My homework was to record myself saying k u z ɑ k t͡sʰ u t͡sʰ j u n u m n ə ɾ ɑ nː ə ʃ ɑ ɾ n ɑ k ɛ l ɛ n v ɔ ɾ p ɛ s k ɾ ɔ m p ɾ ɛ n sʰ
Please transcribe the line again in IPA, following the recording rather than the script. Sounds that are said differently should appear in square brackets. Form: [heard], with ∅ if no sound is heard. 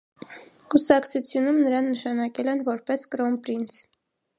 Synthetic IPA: k u [s] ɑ k t͡sʰ u t͡sʰ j u n u m n ə ɾ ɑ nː ə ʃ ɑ [∅] n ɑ k ɛ l ɛ n v ɔ ɾ p ɛ s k ɾ ɔ m p ɾ [i] n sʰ